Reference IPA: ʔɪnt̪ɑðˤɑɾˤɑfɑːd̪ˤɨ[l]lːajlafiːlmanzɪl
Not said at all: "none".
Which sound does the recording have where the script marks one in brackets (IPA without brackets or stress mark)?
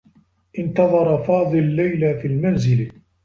l